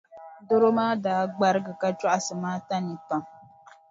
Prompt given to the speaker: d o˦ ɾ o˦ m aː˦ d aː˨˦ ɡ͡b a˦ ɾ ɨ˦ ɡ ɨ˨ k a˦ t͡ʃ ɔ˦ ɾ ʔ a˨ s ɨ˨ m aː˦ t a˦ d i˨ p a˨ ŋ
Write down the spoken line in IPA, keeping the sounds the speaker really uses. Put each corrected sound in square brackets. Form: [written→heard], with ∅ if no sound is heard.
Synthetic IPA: d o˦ ɾ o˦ m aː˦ d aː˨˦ ɡ͡b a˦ ɾ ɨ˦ ɡ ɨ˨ k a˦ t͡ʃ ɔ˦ [ɾ→∅] ʔ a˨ s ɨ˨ m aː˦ t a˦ [d→n] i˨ p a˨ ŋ